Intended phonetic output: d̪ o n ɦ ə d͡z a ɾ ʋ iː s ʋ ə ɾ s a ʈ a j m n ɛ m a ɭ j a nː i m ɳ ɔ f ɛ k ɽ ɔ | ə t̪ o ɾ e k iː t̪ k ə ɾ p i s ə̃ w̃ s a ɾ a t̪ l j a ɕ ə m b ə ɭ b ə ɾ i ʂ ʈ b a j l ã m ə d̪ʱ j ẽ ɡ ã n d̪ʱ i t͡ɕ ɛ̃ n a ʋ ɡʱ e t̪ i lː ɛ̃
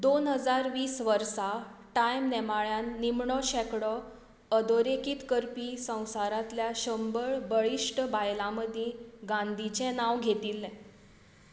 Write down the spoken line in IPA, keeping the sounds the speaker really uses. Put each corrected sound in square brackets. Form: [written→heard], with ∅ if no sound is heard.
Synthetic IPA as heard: d̪ o n ɦ ə d͡z a ɾ ʋ iː s ʋ ə ɾ s a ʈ a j m n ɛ m a ɭ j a nː i m ɳ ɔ [f→ɕ] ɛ k ɽ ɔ | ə [t̪→d̪] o ɾ e k iː t̪ k ə ɾ p i s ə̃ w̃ s a ɾ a t̪ l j a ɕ ə m b ə ɭ b ə [ɾ→ɭ] i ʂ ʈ b a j l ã m ə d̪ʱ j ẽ ɡ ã n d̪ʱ i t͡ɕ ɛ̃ n a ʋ ɡʱ e t̪ i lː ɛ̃